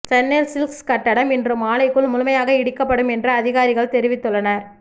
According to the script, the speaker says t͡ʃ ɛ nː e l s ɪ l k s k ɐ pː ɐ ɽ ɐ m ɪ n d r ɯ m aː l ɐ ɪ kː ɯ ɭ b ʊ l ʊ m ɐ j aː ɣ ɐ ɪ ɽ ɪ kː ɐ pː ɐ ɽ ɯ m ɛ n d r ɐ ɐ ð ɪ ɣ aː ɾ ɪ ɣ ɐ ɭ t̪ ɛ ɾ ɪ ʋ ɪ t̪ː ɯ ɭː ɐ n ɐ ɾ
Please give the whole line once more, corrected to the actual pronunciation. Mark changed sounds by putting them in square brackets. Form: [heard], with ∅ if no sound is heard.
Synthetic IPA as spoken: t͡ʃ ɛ nː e l s ɪ l k s k ɐ [ʈː] ɐ ɽ ɐ m ɪ n d r ɯ m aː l ɐ ɪ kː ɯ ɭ [m] ʊ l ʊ m ɐ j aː ɣ ɐ ɪ ɽ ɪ kː ɐ pː ɐ ɽ ɯ m ɛ n d r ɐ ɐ ð ɪ ɣ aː ɾ ɪ ɣ ɐ ɭ t̪ ɛ ɾ ɪ ʋ ɪ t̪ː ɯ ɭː ɐ n ɐ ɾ